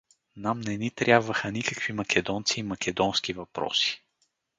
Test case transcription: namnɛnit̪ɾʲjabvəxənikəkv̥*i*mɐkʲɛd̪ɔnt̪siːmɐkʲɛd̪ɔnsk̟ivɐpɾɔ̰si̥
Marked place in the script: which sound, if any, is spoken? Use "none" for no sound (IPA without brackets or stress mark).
i